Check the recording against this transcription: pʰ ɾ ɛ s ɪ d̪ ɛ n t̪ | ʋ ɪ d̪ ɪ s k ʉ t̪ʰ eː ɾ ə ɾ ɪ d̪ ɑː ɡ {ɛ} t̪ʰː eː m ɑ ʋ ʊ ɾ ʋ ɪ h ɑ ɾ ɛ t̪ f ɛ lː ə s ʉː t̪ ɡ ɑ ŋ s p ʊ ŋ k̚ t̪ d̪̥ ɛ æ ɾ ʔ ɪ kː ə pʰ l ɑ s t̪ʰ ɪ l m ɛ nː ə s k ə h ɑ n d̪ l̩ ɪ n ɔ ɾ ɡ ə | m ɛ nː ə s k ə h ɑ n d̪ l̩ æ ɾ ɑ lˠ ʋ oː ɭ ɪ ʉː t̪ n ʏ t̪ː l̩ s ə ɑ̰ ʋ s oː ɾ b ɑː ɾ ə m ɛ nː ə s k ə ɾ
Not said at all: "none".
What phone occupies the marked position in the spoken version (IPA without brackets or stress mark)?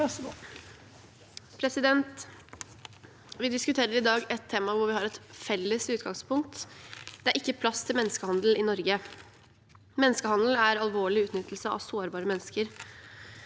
ɛ